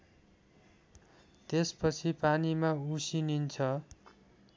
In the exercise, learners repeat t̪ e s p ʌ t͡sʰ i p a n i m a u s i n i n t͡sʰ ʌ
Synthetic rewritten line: t̪ e s p ʌ t͡sʰ i p a n i m a u s i n i n t͡sʰ ʌ